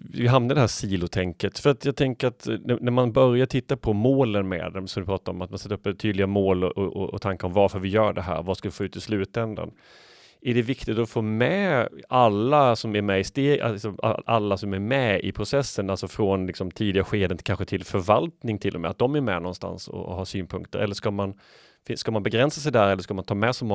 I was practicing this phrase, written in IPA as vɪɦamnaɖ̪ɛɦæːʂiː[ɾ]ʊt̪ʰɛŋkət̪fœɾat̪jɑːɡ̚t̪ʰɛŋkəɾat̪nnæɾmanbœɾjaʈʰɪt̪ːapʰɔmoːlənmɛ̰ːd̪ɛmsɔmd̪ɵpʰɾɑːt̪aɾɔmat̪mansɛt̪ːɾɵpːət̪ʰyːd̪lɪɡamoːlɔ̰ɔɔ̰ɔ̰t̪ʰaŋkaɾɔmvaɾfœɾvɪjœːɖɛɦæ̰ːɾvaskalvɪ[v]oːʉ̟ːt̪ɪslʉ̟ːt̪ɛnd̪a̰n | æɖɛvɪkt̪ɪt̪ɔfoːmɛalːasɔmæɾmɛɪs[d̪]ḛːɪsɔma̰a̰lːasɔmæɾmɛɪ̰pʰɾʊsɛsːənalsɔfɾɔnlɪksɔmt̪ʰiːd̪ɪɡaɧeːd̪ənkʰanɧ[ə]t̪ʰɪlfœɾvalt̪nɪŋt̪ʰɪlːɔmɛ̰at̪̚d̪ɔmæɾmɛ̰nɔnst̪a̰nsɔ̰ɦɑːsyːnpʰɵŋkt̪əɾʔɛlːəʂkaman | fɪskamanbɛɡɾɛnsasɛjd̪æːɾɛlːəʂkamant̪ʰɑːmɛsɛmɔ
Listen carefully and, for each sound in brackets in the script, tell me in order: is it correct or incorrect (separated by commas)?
incorrect, incorrect, incorrect, correct